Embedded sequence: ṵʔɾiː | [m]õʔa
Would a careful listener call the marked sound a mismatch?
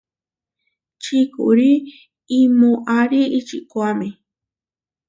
no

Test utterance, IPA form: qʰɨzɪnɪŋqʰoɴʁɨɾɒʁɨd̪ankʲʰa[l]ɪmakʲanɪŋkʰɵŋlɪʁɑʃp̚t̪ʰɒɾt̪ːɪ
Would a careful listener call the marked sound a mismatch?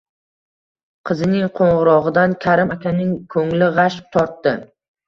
yes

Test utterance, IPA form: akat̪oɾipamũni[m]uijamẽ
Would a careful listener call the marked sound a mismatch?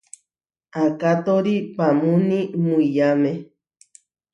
no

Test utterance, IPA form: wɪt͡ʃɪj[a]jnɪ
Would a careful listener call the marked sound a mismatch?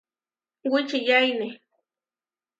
no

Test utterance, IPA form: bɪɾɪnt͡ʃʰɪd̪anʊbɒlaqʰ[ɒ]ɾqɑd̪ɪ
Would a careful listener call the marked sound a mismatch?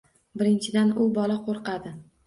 yes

